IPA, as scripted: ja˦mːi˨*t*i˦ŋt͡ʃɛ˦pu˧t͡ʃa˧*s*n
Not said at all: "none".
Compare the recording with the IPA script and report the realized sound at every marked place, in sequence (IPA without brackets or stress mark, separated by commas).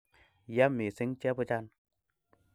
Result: s, none